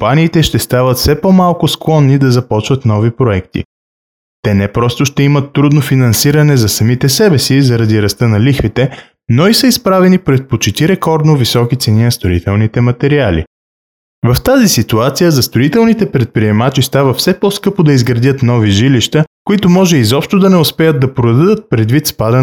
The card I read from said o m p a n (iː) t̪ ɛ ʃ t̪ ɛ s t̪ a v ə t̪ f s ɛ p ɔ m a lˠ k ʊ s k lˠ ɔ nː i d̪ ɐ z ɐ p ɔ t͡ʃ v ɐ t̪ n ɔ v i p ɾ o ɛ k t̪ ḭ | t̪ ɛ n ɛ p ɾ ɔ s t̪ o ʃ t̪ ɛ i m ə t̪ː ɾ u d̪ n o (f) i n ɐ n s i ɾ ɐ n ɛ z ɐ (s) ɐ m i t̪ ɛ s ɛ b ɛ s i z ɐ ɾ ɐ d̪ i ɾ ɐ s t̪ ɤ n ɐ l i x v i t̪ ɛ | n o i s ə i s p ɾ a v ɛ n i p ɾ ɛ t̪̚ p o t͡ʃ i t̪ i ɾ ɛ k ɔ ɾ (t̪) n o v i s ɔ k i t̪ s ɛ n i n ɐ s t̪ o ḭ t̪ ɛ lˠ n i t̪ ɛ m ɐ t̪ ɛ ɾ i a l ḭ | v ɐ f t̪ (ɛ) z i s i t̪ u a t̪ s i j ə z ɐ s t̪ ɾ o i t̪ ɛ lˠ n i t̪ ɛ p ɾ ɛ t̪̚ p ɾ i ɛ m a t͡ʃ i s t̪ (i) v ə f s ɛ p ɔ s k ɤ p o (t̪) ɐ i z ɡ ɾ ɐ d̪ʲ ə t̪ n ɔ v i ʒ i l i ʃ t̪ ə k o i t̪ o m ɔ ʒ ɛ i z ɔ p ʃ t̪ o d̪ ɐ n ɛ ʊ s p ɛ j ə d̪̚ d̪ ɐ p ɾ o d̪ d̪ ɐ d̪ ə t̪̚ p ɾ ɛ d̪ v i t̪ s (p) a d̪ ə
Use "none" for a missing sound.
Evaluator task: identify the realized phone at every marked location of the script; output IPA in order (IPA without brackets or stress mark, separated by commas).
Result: iː, f, s, d̪, a, a, d̪, p